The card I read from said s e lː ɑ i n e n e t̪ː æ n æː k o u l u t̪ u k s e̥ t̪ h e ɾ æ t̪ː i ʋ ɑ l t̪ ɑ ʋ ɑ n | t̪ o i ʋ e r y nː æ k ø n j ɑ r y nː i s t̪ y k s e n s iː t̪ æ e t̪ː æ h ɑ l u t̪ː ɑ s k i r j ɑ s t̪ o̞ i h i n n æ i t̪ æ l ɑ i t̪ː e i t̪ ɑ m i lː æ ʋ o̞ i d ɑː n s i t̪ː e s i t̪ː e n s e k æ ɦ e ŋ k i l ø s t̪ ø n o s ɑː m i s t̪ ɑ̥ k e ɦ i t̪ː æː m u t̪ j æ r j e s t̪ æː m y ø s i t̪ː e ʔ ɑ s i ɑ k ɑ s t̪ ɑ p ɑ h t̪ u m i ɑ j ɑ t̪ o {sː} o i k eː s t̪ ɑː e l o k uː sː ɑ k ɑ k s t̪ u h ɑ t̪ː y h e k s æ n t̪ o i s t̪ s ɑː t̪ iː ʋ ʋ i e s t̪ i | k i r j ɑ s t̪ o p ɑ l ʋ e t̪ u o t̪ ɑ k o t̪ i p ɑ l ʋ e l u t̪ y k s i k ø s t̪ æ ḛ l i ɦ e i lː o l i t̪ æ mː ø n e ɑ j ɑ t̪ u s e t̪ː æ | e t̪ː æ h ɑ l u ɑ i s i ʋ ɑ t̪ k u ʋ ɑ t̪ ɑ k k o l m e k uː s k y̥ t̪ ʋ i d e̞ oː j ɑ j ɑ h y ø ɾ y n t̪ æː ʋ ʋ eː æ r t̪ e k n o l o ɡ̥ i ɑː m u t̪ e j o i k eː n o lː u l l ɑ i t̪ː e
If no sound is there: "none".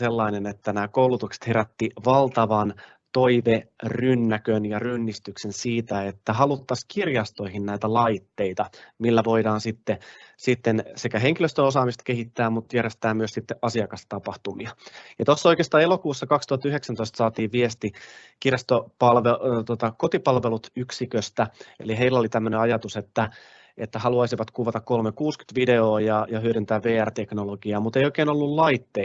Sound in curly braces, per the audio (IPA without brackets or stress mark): sː